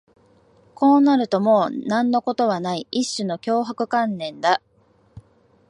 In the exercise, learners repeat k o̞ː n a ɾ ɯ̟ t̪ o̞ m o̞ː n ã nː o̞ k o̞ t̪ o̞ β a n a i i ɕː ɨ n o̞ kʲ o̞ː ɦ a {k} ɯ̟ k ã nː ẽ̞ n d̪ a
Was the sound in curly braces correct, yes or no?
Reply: yes